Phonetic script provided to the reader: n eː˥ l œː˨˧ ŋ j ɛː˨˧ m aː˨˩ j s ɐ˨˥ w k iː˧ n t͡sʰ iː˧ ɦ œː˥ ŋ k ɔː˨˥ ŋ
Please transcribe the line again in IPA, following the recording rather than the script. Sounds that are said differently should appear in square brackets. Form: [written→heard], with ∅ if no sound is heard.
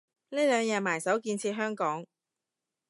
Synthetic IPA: n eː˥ l œː˨˧ ŋ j ɛː˨˧ m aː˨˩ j s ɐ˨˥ w k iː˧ n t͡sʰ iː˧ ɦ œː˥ ŋ k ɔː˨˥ ŋ